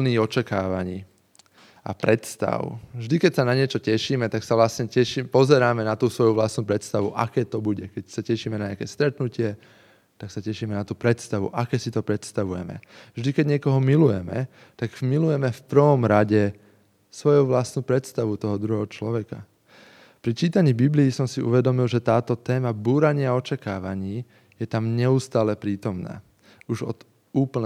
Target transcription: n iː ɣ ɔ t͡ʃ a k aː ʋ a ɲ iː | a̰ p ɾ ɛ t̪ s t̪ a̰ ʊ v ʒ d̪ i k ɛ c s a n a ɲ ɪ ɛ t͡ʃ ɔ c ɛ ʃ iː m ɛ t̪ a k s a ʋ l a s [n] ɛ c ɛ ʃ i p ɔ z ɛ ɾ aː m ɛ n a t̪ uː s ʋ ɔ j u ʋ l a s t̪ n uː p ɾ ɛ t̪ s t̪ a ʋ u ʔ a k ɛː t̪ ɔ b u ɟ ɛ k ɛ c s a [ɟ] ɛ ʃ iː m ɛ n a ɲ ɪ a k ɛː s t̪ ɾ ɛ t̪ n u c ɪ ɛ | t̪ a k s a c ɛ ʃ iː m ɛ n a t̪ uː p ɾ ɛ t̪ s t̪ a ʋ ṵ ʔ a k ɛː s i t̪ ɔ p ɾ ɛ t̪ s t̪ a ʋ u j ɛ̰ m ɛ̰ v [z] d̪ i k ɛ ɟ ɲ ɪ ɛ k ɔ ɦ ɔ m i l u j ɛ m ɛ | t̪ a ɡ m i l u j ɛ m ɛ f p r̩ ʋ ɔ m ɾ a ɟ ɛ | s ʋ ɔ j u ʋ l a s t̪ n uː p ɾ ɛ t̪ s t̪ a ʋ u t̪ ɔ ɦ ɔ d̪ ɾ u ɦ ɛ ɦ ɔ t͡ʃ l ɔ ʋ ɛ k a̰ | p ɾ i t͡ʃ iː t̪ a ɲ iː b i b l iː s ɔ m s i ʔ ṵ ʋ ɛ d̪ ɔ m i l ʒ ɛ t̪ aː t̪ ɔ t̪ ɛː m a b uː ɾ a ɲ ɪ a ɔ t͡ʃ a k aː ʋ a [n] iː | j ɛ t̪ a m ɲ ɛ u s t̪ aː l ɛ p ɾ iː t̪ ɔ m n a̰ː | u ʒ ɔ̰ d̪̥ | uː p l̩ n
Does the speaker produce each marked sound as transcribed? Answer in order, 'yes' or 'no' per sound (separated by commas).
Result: no, no, no, no